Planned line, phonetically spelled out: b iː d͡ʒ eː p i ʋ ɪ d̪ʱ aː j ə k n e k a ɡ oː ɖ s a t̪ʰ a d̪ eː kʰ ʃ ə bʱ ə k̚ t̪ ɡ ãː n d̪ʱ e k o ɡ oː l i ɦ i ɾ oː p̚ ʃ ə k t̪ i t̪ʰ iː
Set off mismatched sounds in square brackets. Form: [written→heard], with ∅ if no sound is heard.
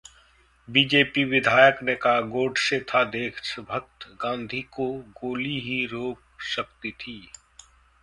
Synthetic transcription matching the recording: b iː d͡ʒ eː p i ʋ ɪ d̪ʱ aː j ə k n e k a ɡ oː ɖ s [a→e] t̪ʰ a d̪ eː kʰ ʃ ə bʱ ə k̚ t̪ ɡ ãː n d̪ʱ [e→i] k o ɡ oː l i ɦ i ɾ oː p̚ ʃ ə k t̪ i t̪ʰ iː